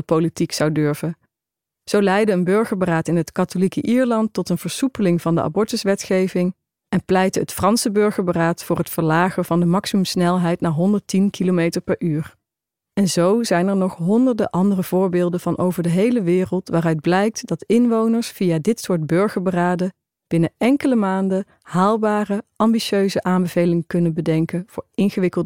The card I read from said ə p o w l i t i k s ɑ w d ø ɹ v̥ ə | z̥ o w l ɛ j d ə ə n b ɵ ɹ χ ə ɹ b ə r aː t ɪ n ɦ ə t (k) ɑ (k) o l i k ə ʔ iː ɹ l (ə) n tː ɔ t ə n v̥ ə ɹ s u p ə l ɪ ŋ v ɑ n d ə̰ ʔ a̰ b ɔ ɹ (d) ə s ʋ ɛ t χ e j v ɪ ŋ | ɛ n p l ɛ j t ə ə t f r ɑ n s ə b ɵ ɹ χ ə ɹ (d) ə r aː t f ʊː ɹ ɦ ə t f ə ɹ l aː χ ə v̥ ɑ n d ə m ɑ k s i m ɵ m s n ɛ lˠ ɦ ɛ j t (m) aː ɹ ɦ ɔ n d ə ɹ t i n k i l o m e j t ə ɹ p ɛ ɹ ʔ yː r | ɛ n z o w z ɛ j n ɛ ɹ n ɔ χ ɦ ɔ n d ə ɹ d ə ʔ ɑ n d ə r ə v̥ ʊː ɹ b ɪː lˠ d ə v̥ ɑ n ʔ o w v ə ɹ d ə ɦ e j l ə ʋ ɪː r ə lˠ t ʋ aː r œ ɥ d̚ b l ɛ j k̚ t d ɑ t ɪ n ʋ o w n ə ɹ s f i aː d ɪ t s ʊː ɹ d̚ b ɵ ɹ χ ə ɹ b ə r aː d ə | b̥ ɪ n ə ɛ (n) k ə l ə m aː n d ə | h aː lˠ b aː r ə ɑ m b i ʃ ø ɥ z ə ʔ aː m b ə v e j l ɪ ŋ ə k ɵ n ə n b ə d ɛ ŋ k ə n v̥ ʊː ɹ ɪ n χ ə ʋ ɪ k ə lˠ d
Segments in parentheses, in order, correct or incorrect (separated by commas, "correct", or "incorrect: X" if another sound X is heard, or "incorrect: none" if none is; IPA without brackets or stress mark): correct, incorrect: t, incorrect: ɑ, incorrect: t, incorrect: b, incorrect: n, incorrect: ŋ